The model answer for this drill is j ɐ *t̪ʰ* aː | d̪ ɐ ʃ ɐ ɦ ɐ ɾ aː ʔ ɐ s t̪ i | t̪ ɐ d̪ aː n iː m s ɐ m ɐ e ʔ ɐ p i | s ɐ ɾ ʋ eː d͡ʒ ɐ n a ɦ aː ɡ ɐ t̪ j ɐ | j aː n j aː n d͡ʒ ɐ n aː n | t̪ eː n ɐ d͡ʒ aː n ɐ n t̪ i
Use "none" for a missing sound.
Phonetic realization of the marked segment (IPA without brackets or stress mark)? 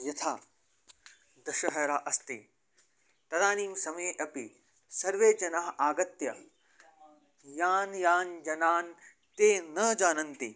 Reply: t̪ʰ